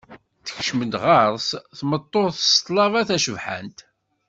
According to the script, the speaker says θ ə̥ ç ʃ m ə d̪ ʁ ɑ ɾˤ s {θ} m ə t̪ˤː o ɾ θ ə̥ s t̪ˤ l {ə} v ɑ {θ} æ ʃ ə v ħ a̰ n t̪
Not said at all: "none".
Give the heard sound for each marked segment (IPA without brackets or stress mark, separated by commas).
θ, ɑ, θ